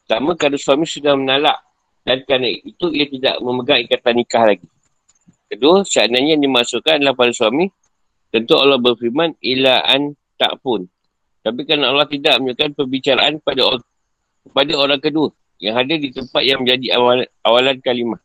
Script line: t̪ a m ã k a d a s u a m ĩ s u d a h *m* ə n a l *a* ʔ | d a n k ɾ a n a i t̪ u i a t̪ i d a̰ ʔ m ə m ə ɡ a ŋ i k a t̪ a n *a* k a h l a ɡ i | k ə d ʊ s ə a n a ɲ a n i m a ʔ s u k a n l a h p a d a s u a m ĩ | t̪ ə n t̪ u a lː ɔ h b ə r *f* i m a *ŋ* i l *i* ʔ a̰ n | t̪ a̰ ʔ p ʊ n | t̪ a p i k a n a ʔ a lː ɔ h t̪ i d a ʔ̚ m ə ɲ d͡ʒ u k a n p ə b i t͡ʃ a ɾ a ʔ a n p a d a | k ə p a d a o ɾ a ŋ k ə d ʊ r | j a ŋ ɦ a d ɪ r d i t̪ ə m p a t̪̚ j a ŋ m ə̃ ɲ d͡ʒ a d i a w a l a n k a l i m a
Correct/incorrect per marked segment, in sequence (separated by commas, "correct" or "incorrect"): correct, correct, incorrect, correct, incorrect, incorrect